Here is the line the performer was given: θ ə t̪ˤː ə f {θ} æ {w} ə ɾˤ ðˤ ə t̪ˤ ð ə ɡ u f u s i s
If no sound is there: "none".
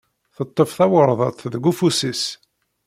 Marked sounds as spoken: θ, w

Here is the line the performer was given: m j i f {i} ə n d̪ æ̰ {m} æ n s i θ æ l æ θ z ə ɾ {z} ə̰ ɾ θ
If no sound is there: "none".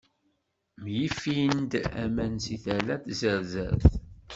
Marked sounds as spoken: i, m, z

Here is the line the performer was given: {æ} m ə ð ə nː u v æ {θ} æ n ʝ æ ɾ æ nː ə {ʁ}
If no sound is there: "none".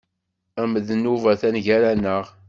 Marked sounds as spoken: æ, θ, ʁ

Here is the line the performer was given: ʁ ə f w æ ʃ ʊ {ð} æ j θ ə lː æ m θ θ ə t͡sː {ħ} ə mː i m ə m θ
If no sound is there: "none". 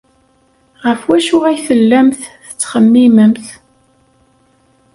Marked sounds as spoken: ʁ, χ

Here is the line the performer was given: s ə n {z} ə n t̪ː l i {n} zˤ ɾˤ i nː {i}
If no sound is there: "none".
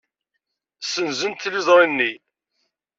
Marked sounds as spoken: z, none, i

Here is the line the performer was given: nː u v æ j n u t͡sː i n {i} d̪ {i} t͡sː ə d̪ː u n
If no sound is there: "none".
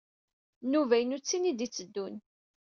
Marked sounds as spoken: i, i

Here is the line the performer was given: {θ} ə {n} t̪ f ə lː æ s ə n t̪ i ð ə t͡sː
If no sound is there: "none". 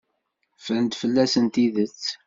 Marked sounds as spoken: f, n

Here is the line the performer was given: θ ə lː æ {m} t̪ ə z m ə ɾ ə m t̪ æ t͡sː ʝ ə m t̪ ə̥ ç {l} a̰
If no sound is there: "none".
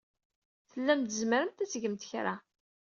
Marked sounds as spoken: m, ɾ

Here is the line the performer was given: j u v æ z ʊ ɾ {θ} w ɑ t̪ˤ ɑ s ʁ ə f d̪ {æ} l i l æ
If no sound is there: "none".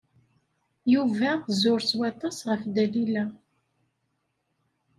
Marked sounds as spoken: s, æ

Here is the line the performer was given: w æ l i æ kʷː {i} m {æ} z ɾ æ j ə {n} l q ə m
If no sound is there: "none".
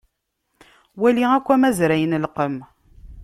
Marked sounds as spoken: æ, æ, n

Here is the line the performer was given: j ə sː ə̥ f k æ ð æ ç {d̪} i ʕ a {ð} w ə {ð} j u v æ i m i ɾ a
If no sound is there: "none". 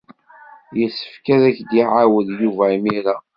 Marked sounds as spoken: d̪, none, ð

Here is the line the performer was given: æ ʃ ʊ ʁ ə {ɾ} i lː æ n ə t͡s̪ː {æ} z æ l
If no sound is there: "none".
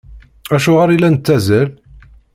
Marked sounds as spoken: ɾ, æ

